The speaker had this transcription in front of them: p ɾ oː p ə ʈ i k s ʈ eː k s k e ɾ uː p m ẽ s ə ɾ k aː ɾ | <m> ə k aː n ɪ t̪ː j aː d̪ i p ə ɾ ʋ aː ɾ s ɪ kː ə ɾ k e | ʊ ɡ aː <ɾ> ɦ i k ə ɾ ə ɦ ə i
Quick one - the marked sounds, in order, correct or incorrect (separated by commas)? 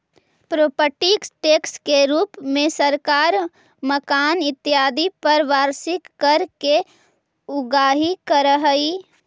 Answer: correct, incorrect